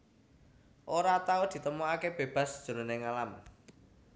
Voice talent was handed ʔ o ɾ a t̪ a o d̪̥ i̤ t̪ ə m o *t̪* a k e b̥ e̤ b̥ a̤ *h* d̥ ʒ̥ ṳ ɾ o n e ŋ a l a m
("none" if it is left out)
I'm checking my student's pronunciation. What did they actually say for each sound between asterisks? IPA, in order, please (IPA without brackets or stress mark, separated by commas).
none, s